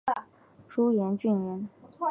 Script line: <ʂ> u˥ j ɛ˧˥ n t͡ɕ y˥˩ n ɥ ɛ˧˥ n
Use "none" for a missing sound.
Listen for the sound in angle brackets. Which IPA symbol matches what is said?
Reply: ʈ͡ʂ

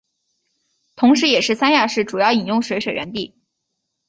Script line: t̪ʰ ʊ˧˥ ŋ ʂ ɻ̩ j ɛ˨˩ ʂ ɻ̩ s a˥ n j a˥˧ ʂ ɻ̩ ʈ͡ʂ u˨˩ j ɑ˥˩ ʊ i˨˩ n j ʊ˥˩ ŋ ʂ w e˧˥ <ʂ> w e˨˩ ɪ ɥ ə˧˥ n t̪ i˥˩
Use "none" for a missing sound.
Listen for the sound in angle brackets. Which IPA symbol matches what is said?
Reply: ʂ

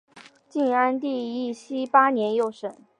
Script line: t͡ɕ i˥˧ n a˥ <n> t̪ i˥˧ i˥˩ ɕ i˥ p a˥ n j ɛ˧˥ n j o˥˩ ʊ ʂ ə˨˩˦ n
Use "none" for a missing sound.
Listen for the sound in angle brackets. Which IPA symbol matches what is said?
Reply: n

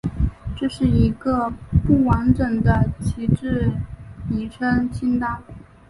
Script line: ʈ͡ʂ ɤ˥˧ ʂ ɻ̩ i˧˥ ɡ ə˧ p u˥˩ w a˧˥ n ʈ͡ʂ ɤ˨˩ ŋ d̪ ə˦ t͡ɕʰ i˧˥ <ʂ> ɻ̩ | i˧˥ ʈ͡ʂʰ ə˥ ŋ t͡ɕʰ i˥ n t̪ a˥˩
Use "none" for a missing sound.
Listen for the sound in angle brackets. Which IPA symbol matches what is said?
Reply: ʈ͡ʂ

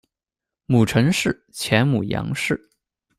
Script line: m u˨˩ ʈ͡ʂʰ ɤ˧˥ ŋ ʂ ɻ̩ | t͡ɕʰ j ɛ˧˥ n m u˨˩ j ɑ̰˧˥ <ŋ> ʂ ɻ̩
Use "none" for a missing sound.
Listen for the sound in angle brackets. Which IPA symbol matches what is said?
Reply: ŋ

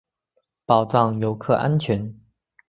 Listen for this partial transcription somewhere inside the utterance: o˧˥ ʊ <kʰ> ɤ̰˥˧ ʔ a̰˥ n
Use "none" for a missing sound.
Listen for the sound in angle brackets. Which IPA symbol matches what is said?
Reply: kʰ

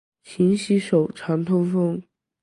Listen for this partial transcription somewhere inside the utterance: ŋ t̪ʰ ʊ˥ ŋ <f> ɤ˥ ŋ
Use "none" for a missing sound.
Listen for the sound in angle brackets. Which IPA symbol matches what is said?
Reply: f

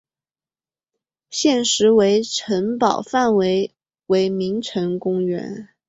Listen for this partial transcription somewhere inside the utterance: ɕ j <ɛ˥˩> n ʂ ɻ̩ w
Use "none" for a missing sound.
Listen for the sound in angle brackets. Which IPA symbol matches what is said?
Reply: ɛ˥˩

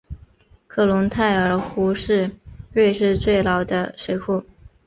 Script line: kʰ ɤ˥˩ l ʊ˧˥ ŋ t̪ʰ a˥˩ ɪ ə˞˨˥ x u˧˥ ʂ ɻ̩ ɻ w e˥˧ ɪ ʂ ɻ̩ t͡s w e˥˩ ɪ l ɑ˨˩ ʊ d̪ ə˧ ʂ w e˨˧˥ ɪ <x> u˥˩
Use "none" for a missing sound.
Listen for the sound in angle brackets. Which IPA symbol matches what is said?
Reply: x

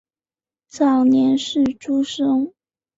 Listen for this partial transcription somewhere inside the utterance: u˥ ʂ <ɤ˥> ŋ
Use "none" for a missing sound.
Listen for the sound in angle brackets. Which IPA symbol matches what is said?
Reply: ɤ˥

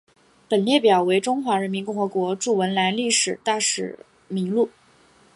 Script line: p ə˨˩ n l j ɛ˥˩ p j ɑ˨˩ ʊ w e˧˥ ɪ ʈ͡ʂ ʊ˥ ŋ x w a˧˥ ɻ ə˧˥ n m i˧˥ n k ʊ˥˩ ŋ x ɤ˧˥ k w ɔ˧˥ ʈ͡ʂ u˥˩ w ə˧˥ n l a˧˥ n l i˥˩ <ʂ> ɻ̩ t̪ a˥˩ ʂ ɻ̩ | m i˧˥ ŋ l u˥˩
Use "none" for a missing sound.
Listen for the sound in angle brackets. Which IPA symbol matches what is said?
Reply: ʂ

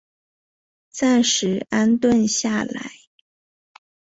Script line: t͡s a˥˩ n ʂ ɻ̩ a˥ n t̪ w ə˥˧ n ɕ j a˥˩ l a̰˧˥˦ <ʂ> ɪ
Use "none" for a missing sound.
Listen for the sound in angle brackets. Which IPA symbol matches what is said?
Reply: none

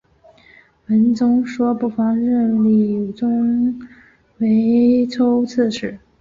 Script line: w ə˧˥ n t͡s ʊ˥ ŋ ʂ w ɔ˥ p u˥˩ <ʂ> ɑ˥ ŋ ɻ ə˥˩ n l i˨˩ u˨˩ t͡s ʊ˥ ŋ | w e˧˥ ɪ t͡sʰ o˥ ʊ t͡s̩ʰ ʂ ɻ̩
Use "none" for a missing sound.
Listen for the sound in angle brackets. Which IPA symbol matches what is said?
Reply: f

